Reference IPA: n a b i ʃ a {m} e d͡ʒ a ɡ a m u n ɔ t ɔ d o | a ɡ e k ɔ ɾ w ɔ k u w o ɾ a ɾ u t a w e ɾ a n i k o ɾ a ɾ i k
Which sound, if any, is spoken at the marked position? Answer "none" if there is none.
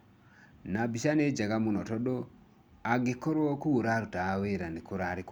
n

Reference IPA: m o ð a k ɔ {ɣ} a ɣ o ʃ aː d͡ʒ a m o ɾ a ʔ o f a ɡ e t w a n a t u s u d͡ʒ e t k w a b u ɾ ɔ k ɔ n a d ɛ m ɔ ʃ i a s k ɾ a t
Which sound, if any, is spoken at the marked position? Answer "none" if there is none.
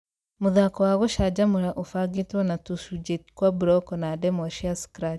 w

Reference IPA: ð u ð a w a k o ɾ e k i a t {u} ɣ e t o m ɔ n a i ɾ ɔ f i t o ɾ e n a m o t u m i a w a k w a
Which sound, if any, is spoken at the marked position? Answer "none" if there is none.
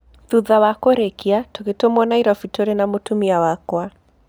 o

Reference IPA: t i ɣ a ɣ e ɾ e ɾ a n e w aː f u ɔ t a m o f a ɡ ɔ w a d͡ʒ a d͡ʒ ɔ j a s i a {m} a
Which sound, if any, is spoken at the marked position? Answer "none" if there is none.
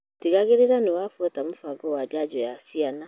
n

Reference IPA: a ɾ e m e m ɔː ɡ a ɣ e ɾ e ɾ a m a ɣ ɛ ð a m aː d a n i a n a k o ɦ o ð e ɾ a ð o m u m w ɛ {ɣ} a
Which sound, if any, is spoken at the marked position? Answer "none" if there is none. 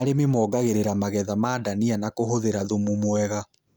ɣ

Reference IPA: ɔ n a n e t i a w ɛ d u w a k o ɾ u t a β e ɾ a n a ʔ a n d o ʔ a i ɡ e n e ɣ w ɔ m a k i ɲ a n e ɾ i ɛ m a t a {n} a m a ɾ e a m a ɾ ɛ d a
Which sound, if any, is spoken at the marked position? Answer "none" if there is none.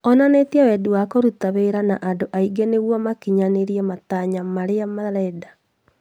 ɲ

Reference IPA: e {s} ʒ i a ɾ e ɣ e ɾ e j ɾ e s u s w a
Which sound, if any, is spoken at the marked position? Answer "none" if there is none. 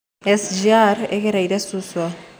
s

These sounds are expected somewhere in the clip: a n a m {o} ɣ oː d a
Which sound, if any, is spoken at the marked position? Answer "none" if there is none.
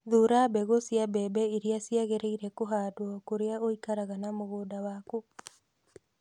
o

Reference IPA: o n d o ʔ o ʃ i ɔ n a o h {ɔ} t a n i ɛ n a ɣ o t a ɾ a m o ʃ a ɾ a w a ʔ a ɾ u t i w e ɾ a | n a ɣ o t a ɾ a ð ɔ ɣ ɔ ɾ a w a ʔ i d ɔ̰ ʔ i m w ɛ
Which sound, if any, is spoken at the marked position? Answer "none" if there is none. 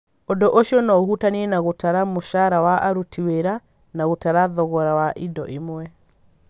u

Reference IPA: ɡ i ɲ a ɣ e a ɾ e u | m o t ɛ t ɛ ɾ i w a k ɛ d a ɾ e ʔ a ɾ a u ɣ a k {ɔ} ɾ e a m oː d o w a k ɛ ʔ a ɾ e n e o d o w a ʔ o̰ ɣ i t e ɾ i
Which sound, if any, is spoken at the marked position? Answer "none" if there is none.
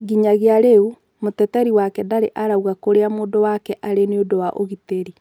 o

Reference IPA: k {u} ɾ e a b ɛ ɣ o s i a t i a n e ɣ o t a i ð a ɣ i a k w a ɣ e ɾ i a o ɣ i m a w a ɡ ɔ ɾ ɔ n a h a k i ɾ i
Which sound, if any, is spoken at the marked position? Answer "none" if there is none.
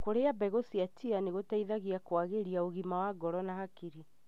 o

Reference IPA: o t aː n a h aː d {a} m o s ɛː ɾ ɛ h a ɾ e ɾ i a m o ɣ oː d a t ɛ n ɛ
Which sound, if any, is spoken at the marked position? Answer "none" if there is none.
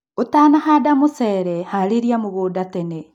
a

